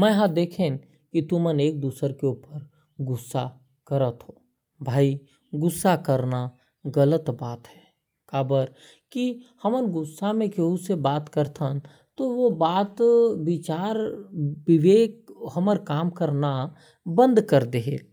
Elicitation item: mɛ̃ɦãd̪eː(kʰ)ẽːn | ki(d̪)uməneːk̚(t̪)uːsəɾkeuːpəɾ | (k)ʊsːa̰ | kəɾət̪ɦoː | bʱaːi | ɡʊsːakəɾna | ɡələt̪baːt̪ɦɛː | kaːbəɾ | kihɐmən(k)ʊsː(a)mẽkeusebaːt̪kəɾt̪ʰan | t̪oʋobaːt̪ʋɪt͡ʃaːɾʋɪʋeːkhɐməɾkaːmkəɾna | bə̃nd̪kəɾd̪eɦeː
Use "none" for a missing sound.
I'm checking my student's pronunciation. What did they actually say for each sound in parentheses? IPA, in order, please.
kʰ, t̪, d̪, ɡ, ɡ, a

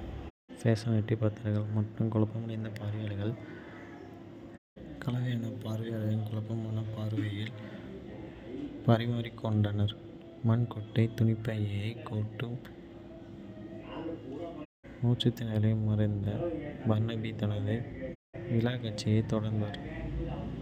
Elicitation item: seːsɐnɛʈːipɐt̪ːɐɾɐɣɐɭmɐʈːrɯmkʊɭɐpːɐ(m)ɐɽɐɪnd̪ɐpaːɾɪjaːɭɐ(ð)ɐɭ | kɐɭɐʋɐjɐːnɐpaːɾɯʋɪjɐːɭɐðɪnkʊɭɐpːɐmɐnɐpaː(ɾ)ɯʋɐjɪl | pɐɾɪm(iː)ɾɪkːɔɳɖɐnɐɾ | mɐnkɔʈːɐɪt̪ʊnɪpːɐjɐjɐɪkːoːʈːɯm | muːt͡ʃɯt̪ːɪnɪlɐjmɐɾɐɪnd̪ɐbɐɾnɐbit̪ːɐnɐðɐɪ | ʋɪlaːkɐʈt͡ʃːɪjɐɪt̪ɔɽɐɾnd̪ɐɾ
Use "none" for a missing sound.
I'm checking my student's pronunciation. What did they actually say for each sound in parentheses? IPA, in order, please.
m, ɣ, ɾ, aː

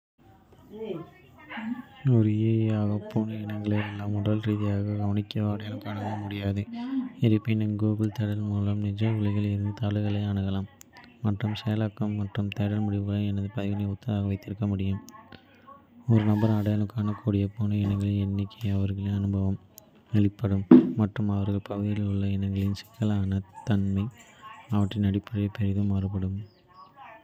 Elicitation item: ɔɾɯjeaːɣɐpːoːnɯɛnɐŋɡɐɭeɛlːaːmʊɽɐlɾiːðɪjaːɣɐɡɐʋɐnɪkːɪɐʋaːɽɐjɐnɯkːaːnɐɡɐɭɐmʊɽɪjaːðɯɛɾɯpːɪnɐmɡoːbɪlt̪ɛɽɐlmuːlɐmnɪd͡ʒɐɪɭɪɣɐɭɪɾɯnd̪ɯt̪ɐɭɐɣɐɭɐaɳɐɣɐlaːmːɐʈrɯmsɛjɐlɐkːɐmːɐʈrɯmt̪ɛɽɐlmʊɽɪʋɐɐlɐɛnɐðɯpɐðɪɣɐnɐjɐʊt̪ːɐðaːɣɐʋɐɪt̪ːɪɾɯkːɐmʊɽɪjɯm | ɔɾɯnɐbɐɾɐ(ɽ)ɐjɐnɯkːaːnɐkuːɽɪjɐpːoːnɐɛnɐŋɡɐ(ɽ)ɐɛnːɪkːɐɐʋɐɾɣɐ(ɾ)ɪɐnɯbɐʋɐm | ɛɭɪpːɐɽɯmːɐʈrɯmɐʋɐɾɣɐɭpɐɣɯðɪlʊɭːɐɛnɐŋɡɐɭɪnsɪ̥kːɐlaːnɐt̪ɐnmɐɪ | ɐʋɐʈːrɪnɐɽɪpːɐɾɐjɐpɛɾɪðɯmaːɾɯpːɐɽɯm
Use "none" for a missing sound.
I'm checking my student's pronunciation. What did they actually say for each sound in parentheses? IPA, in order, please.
ɽ, ɭ, ɭ

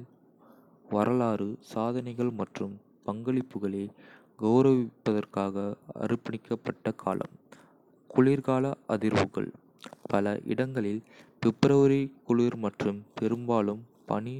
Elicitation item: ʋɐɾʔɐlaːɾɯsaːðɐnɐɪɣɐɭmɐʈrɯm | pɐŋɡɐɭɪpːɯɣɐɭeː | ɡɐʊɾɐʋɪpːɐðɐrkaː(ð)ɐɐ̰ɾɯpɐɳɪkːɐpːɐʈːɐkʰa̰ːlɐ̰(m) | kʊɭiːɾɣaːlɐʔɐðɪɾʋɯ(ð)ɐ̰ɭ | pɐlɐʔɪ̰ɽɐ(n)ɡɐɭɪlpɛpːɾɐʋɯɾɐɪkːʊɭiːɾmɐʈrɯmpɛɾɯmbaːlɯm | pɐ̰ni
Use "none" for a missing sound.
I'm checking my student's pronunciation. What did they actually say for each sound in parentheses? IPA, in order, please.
ɣ, m, ɣ, ŋ

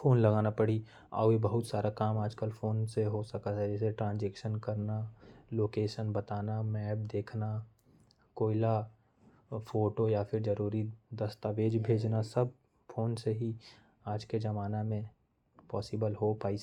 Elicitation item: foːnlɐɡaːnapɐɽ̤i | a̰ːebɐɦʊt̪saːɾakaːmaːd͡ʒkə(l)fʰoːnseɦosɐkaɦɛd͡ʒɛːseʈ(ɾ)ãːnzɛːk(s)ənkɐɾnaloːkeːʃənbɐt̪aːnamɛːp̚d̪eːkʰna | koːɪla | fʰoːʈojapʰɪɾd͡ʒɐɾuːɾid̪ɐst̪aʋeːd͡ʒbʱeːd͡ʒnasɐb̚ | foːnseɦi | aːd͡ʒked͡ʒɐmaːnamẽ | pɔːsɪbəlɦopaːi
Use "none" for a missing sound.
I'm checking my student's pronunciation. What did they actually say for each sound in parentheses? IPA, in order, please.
l, ɾ, ʃ

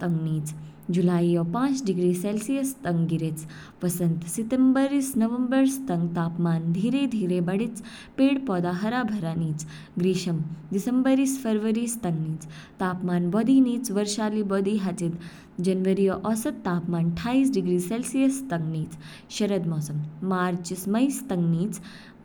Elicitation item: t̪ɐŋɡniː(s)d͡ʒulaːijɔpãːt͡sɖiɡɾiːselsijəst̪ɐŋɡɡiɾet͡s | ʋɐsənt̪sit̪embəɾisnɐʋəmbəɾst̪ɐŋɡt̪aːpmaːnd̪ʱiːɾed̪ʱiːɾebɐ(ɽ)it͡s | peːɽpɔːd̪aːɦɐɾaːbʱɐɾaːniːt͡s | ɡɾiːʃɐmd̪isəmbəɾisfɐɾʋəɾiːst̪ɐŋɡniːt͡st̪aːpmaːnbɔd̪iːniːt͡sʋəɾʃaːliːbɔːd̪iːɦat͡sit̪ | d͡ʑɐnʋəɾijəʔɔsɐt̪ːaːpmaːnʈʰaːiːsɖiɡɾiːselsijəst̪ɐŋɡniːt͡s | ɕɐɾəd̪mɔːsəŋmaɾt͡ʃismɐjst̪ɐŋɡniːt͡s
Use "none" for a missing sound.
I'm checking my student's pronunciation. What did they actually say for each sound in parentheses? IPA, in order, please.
t͡s, ɽ

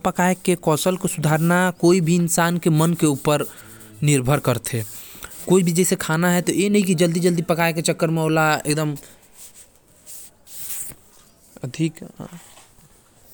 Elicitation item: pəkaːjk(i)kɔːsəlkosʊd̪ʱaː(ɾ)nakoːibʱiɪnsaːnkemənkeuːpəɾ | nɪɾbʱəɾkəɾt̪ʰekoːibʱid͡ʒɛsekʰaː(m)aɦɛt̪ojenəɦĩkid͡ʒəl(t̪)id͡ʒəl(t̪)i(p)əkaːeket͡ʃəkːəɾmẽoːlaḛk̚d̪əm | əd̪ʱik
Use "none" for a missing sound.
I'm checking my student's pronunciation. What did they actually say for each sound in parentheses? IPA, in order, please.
e, ɾ, n, d̪, d̪, p

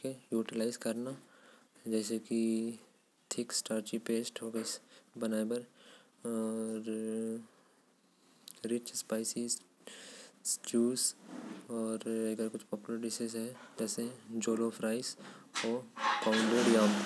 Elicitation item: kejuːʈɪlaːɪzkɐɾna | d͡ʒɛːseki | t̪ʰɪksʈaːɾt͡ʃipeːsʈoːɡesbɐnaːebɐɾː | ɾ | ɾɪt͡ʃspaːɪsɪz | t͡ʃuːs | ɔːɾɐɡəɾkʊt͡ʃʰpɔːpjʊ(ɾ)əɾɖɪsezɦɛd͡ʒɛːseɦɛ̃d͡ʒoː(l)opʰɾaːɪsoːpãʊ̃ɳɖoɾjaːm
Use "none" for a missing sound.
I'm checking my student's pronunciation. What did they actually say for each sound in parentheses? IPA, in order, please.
l, l

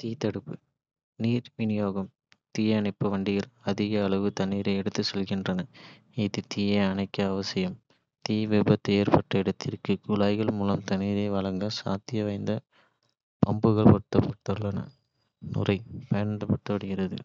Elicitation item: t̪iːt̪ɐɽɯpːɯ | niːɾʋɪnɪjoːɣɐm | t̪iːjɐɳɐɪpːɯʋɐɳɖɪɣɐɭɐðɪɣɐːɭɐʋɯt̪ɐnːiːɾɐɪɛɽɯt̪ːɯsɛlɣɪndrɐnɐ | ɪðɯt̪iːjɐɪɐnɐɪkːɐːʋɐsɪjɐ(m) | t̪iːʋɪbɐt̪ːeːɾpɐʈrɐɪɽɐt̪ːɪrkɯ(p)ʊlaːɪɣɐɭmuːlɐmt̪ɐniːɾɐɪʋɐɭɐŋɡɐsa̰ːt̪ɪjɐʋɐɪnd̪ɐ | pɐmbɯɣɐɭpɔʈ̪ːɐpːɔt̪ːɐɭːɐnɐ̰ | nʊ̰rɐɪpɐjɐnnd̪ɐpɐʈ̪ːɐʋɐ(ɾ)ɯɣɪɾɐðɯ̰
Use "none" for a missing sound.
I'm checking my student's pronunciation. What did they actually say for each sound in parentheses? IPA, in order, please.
m, k, ɽ

